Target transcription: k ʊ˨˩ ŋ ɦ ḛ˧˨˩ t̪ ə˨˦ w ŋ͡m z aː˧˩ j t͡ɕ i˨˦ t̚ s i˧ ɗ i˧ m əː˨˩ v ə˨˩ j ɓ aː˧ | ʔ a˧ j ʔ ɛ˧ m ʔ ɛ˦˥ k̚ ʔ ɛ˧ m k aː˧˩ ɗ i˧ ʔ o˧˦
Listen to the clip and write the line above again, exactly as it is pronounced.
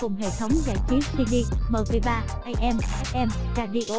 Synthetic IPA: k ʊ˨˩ ŋ͡m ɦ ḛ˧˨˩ t̪ʰ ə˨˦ w ŋ͡m z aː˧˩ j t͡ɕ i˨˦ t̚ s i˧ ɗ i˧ m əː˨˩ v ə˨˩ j ɓ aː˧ | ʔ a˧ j ʔ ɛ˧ m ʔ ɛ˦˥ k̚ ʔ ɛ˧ m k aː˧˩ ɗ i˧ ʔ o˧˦